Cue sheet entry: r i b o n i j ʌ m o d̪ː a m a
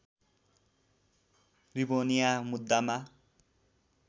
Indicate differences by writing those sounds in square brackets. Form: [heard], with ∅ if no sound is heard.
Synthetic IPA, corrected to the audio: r i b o n i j [a] m [u] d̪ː a m a